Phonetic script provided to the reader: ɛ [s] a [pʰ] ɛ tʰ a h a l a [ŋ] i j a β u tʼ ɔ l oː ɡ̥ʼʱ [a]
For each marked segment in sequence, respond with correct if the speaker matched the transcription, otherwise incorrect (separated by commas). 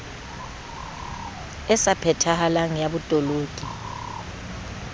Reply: correct, correct, correct, incorrect